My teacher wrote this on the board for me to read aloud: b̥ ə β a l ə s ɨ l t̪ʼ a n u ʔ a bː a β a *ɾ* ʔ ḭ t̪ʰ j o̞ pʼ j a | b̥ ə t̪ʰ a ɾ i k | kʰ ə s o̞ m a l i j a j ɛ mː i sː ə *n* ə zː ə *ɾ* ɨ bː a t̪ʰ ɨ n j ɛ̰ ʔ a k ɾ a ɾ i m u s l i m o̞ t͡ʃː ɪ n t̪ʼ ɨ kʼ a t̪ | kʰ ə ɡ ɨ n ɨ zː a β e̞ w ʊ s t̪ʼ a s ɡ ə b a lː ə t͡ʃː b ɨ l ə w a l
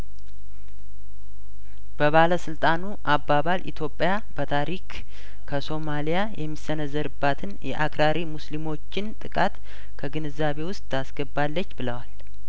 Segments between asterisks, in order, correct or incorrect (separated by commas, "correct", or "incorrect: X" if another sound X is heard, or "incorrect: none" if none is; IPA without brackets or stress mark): incorrect: l, correct, correct